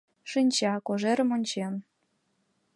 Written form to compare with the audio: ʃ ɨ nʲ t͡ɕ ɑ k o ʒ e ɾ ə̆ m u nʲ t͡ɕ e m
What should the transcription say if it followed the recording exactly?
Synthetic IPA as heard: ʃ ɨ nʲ t͡ɕ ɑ k o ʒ e ɾ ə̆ m o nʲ t͡ɕ e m

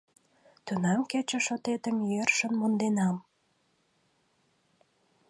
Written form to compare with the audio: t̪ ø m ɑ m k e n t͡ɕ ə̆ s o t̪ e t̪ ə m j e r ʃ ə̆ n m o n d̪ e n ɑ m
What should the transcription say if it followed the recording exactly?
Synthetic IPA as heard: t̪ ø n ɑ m k e t͡ɕ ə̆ ʃ o t̪ e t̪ ə m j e r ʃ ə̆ n m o n d̪ e n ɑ m

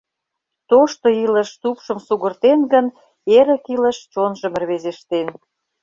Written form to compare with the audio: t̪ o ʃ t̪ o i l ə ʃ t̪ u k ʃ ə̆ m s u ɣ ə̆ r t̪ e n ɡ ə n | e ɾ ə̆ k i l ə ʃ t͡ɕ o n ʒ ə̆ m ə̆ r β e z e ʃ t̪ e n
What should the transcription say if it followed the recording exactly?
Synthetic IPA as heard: t̪ o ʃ t̪ o i l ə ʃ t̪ u p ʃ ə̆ m s u ɣ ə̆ r t̪ e n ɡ ə n | e ɾ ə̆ k i l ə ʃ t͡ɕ o n ʒ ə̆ m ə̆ r β e z e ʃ t̪ e n

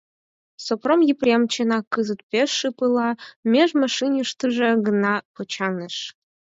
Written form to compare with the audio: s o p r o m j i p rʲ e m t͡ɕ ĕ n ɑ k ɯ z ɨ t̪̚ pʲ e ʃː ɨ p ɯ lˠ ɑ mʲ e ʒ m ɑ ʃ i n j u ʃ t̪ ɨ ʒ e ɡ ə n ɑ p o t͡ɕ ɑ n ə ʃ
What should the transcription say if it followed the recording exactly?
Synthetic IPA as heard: s o p r o m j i p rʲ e m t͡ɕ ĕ n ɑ k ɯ z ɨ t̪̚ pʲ e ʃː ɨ p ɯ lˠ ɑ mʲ e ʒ m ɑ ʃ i n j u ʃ t̪ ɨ ʒ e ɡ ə n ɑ p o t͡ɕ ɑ n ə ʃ

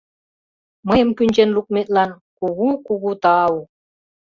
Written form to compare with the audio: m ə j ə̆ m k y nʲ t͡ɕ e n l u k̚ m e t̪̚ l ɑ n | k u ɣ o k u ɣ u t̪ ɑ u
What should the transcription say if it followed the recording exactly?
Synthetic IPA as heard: m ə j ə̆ m k y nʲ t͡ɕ e n l u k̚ m e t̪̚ l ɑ n | k u ɣ u k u ɣ u t̪ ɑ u

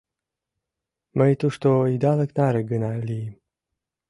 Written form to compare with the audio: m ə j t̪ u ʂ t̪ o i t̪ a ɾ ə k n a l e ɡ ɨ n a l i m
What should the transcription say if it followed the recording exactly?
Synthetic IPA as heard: m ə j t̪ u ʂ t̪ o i d̪ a l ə k n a ɾ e ɡ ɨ n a l i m

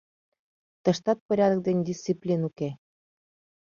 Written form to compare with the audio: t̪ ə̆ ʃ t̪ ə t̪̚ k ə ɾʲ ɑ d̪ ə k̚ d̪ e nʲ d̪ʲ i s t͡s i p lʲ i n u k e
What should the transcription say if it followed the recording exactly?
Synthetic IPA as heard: t̪ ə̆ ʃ t̪ ɑ t̪̚ p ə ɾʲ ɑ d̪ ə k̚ d̪ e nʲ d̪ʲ i s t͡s i p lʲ i n u k e

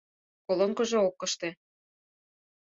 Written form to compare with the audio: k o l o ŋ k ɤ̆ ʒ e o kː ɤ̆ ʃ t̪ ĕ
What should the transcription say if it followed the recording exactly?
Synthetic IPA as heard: k o l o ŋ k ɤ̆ ʒ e o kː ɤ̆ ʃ t̪ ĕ

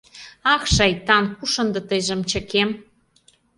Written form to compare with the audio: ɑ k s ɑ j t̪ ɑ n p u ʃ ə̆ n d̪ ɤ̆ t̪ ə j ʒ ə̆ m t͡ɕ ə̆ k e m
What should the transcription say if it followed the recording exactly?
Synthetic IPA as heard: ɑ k ʃ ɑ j t̪ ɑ n k u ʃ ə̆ n d̪ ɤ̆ t̪ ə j ʒ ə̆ m t͡ɕ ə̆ k e m

